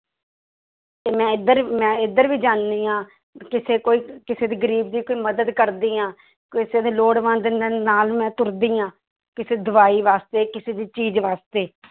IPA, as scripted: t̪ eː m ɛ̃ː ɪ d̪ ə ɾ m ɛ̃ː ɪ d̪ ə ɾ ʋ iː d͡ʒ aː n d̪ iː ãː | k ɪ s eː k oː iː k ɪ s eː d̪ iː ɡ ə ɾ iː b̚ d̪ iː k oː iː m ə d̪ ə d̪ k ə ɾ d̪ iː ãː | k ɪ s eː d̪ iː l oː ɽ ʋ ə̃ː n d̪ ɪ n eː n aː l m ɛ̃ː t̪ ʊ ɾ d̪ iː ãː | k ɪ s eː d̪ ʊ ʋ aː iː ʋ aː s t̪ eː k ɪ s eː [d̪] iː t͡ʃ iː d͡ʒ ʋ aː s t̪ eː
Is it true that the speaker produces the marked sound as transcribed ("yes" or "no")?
yes